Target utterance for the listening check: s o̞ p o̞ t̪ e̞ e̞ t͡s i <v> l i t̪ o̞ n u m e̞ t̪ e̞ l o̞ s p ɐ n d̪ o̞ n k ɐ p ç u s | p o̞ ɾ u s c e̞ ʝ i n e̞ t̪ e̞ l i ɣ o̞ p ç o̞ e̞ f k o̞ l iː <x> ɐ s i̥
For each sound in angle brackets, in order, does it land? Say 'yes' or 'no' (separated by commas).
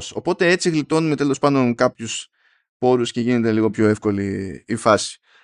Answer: no, no